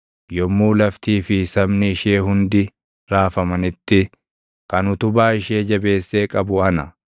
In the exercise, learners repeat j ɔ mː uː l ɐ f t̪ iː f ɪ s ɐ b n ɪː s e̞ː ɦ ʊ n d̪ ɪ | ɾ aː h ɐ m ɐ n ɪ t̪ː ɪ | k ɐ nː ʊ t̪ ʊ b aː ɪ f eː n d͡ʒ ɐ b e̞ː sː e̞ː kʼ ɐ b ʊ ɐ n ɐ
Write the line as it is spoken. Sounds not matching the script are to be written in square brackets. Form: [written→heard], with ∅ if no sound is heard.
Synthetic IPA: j ɔ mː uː l ɐ f t̪ iː f ɪ s ɐ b n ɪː [s→ʃ] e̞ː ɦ ʊ n d̪ ɪ | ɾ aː [h→f] ɐ m ɐ n ɪ t̪ː ɪ | k ɐ [nː→n] ʊ t̪ ʊ b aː ɪ [f→ʃ] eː [n→∅] d͡ʒ ɐ b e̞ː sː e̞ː kʼ ɐ b ʊ ɐ n ɐ